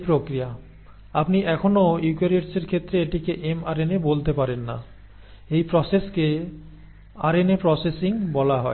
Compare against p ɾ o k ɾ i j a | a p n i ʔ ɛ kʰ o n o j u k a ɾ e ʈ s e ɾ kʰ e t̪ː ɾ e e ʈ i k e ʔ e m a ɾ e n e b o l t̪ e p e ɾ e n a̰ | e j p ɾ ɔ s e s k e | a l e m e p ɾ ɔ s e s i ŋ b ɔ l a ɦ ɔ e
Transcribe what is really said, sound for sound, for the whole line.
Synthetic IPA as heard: p ɾ o k ɾ i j a | a p n i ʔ ɛ kʰ o n o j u k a ɾ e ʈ s e ɾ kʰ e t̪ː ɾ e e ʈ i k e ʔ e m a ɾ e n e b o l t̪ e p a ɾ e nː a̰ | e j p ɾ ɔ s e s k e | a ɾ e n e p ɾ ɔ s e s i ŋ b ɔ l a ɦ ɔ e

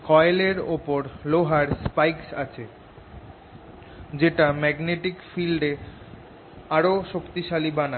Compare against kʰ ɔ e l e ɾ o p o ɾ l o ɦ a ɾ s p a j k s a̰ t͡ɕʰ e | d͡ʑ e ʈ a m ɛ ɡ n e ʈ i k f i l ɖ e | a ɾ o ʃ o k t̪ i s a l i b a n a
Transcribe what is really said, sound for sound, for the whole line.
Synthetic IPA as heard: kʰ ɔ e l e ɾ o p o ɾ l o ɦ a ɾ s p a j k s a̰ t͡ɕʰ e | d͡ʑ e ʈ a m ɛ ɡ n e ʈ i k f i l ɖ e | a ɾ o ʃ o k t̪ i ʃ a l i b a n a

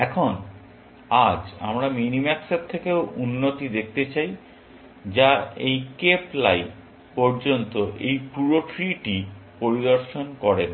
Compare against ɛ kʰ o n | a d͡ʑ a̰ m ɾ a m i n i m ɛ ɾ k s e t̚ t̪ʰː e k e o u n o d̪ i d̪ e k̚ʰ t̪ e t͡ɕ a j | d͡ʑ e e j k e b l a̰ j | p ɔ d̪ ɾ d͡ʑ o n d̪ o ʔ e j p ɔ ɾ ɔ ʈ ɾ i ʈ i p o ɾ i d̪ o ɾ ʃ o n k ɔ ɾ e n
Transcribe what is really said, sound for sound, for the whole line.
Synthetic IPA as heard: ɛ kʰ o n | a d͡ʑ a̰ m ɾ a m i n i m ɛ k s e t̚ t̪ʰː e k e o u nː o t̪ i d̪ e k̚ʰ t̪ e t͡ɕ a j | d͡ʑ a e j k e p l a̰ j | p ɔ ɾ d͡ʑ o n t̪ o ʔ e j p u ɾ o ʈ ɾ i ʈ i p o ɾ i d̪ o ɾ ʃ o n k ɔ ɾ e n

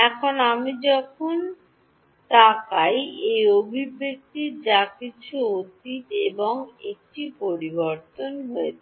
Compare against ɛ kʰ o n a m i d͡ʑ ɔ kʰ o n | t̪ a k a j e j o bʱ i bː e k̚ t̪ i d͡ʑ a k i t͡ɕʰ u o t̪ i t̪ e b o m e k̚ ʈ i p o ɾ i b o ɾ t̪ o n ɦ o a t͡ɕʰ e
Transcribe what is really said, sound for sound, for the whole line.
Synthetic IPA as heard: ɛ kʰ o n a m i d͡ʑ ɔ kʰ o n | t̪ a k a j e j o bʱ i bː e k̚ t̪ i d͡ʑ a k i t͡ɕʰ u o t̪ i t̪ e b o ŋ e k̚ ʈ i p o ɾ i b o ɾ t̪ o n ɦ o e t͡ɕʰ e

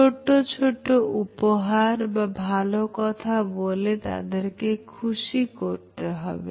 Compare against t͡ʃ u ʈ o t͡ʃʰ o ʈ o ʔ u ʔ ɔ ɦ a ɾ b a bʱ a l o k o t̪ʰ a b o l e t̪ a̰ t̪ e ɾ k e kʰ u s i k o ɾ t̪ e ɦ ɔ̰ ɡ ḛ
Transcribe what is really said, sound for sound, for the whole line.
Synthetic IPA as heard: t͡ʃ o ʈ o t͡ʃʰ o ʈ o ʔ u p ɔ ɦ a ɾ b a bʱ a l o k ɔ t̪ʰ a b o l e t̪ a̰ d̪ e ɾ k e kʰ u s i k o ɾ t̪ e ɦ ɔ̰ b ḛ

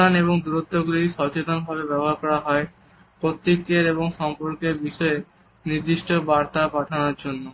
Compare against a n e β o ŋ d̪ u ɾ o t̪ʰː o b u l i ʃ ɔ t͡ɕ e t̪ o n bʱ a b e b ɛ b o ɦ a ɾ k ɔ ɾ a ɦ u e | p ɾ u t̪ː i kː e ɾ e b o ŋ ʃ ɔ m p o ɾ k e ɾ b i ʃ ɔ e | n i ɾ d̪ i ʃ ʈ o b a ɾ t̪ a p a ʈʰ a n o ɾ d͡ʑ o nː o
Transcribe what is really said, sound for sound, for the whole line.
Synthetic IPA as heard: a n e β o ŋ d̪ u ɾ o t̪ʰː o ɡ u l i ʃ ɔ t͡ɕ e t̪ o n bʱ a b e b ɛ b o ɦ a ɾ k ɔ ɾ a ɦ ɔ e | p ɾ o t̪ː i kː e ɾ e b o ŋ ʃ ɔ m p o ɾ k e ɾ b i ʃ ɔ e | n i ɾ d̪ i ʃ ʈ o b a ɾ t̪ a p a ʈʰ a n o ɾ d͡ʑ o nː o

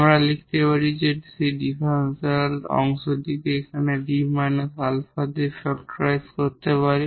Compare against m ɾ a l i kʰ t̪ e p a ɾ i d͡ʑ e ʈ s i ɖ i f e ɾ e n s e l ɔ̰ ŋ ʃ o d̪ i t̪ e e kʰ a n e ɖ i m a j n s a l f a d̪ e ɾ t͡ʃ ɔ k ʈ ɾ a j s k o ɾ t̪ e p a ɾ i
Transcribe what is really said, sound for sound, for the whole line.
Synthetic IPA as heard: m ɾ a l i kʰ t̪ e p a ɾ i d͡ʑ e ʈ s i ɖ i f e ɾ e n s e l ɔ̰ ŋ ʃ o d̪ i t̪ e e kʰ a n e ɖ i m a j n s a l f a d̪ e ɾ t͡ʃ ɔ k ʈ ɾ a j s k o ɾ t̪ e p a ɾ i

